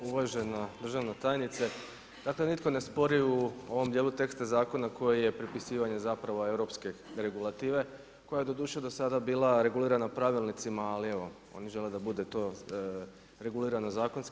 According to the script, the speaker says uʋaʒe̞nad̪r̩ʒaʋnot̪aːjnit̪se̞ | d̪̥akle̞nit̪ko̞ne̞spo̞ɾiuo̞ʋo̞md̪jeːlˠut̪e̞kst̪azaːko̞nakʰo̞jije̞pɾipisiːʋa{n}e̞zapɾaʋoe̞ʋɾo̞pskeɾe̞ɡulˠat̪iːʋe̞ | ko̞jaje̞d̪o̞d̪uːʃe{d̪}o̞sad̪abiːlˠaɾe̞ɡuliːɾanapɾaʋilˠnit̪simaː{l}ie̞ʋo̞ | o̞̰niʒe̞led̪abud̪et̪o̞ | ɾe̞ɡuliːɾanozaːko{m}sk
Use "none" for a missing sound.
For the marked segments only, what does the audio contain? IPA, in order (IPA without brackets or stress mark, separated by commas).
ɲ, d̪, l, n